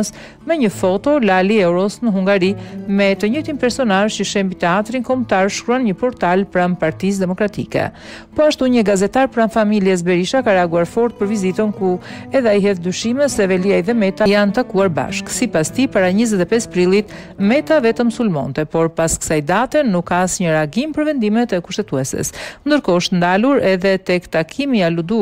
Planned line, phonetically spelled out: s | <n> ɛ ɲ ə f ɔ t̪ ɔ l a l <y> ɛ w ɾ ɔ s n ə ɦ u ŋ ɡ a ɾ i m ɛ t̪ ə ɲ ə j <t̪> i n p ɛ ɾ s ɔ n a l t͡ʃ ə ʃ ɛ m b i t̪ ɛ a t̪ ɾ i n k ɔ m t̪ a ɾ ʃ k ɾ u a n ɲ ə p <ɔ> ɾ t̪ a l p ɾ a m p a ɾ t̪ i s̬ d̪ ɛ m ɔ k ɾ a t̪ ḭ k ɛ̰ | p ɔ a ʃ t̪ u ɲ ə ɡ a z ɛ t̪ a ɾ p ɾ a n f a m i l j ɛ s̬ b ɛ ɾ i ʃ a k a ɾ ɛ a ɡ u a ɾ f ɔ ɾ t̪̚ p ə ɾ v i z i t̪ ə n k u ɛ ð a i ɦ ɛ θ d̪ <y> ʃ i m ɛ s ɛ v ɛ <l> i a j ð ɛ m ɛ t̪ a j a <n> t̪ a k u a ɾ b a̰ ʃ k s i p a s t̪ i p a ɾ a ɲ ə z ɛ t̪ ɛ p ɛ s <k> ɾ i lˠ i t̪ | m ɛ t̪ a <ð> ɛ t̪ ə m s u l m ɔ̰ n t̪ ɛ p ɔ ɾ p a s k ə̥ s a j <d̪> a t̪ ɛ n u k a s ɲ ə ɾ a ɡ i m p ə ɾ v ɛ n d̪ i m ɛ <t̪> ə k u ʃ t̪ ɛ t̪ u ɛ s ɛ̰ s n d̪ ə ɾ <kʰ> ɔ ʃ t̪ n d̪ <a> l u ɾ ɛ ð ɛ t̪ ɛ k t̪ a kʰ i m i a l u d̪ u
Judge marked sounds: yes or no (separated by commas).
no, no, yes, yes, yes, yes, yes, no, no, yes, yes, no, yes